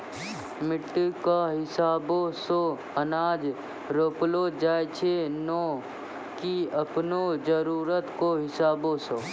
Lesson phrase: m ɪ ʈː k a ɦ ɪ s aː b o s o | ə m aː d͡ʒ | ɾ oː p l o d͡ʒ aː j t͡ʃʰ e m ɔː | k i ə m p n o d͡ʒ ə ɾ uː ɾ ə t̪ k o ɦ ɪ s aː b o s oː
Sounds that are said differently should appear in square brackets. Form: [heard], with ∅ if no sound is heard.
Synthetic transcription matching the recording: m ɪ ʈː k a ɦ ɪ s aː b o s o | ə [n] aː d͡ʒ | ɾ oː p l o d͡ʒ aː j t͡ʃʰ e [n] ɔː | k i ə [∅] p n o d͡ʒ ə ɾ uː ɾ ə t̪ k o ɦ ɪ s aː b o s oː

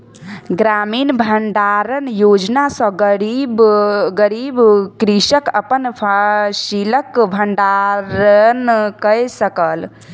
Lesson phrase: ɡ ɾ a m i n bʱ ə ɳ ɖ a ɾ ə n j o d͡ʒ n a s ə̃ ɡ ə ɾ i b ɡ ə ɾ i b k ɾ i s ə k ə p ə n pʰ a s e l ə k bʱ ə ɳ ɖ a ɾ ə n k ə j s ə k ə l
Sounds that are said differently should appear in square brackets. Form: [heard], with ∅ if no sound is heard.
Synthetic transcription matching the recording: ɡ ɾ a m i n bʱ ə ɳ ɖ a ɾ ə n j o d͡ʒ n a s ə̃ ɡ ə ɾ i b ɡ ə ɾ i b k ɾ i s ə k ə p ə n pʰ a s [i] l ə k bʱ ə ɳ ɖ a ɾ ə n k ə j s ə k ə l

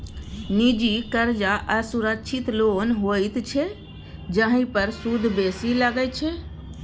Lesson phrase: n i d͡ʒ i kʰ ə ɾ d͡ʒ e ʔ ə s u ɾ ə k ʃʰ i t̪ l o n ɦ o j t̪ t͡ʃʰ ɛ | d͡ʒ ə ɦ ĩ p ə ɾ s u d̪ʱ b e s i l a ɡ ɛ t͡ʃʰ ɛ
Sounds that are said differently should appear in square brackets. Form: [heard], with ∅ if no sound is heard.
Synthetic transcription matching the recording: n i d͡ʒ i [k] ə ɾ d͡ʒ [a] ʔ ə s u ɾ ə k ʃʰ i t̪ l o n ɦ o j t̪ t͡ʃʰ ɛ | d͡ʒ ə ɦ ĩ p ə ɾ s u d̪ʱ b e s i l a ɡ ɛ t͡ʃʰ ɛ

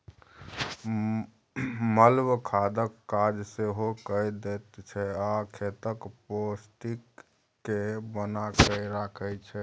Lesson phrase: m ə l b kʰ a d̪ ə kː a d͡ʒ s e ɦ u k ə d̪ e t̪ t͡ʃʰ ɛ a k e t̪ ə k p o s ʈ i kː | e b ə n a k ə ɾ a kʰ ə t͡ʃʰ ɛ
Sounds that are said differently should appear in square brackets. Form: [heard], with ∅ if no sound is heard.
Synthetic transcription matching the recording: m ə l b kʰ a d̪ ə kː a d͡ʒ s e ɦ [o] k ə d̪ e t̪ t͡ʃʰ ɛ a [kʰ] e t̪ ə k p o s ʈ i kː | e b ə n a k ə ɾ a kʰ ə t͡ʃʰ ɛ

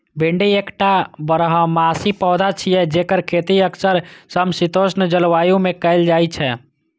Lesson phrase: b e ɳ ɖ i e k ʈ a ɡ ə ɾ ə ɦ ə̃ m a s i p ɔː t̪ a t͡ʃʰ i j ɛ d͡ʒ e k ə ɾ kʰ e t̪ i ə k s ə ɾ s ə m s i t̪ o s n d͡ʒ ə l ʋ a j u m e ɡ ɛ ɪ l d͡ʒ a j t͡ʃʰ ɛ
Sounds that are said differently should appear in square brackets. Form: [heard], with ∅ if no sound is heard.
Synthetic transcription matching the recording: b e ɳ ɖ i e k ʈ a [b] ə ɾ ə ɦ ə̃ m a s i p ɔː [d̪] a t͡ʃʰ i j ɛ d͡ʒ e k ə ɾ kʰ e t̪ i ə k s ə ɾ s ə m s i t̪ o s n d͡ʒ ə l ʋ a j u m e [k] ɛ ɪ l d͡ʒ a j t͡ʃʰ ɛ

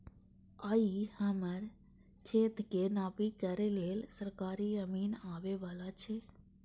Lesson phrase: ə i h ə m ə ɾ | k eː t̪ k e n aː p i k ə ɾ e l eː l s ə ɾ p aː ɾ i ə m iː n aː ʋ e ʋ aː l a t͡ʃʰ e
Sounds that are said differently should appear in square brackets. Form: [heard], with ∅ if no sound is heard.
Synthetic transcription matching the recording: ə i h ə m ə ɾ | [kʰ] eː t̪ k e n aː p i k ə ɾ e l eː l s ə ɾ [k] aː ɾ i ə m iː n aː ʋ e ʋ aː l a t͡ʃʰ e

